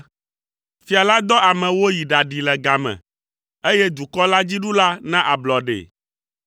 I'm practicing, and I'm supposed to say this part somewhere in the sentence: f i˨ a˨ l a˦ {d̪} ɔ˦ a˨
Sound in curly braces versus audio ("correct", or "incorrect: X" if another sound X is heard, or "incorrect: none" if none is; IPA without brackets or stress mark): correct